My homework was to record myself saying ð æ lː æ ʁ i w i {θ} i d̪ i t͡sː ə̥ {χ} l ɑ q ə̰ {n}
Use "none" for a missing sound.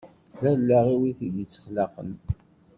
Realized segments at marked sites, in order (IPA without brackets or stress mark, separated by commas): θ, χ, n